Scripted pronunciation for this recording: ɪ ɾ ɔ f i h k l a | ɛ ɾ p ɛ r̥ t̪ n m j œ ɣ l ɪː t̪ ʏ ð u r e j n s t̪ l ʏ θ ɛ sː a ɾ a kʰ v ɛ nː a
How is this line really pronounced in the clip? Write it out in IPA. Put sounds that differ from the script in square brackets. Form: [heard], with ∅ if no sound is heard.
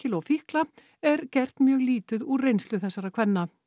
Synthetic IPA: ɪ [l] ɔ f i h k l a | ɛ ɾ [c] ɛ r̥ t̪ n m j [œː] ɣ l [iː] t̪ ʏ ð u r e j n s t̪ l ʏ θ ɛ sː a ɾ a kʰ v ɛ nː a